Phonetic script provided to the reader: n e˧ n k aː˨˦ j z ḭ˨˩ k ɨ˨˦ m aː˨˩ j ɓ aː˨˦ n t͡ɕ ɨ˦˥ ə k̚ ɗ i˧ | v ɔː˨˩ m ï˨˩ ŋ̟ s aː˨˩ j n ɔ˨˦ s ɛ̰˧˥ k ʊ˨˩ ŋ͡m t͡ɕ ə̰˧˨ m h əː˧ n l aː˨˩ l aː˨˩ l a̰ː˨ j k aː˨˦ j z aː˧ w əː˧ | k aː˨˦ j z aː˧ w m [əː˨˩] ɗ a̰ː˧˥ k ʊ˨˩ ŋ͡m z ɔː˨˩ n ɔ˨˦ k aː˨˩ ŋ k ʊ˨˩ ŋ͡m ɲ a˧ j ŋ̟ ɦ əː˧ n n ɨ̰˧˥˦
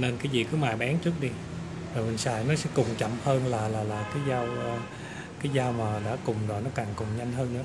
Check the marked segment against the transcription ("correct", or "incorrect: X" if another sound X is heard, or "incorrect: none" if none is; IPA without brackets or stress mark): incorrect: aː˨˩